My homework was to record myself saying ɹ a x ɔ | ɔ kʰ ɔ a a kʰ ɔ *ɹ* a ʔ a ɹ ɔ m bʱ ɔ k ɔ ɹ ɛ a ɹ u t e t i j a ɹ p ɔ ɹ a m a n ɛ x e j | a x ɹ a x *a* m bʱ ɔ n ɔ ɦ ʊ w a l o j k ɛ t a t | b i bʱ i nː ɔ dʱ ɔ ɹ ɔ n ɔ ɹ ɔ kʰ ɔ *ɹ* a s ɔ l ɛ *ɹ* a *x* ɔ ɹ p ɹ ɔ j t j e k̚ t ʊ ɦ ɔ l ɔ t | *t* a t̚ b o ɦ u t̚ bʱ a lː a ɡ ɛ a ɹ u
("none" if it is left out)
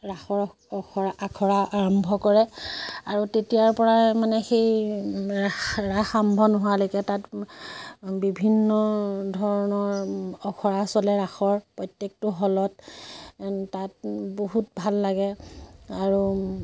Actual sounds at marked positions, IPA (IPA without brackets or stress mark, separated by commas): ɹ, a, ɹ, ɹ, x, t